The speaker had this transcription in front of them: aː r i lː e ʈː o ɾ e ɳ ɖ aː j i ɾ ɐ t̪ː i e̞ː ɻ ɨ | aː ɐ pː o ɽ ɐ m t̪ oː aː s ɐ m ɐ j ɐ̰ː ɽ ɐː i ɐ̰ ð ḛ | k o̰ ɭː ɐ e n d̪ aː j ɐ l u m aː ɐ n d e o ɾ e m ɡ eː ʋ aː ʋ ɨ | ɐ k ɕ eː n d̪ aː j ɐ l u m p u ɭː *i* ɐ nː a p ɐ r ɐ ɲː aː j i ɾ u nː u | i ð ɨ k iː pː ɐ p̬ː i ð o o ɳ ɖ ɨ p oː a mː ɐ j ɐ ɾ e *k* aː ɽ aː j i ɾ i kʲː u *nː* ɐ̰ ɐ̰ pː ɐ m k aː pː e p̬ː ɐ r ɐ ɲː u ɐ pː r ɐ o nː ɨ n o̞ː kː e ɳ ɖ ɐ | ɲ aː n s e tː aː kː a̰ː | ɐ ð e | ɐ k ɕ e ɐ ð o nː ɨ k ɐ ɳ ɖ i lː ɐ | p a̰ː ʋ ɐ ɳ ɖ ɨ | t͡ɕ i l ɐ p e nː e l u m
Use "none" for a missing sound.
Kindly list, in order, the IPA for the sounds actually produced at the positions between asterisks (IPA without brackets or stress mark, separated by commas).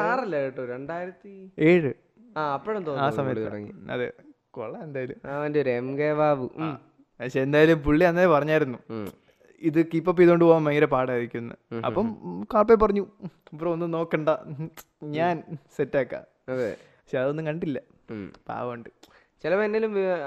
i, p, nː